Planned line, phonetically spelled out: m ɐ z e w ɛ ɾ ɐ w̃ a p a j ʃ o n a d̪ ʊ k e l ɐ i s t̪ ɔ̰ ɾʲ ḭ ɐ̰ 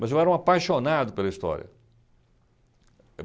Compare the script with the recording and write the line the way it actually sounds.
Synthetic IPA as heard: m ɐ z e w ɛ ɾ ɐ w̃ a p a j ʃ o n a d̪ ʊ p e l ɐ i s t̪ ɔ̰ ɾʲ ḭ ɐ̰